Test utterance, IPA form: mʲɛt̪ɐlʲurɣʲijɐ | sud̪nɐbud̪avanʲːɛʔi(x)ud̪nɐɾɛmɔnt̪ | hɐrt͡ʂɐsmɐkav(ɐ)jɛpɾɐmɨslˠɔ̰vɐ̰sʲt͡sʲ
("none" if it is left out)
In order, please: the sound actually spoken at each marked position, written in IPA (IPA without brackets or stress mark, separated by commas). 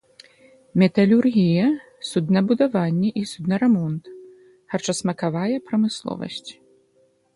s, a